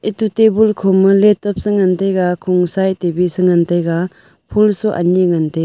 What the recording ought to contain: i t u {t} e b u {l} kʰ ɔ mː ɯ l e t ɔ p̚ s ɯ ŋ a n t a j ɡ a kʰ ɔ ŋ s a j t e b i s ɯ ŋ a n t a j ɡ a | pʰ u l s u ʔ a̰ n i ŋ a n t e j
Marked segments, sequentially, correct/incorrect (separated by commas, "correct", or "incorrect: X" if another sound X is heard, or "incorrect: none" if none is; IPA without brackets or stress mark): correct, correct